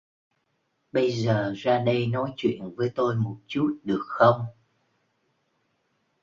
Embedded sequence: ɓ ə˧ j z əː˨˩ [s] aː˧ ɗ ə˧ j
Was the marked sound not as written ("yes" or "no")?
yes